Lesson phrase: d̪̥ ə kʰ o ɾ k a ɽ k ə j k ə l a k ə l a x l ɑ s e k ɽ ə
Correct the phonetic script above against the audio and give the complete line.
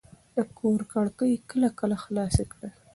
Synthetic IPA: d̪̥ ə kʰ o ɾ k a ɽ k ə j k ə l a k ə l a x l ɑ s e k ɽ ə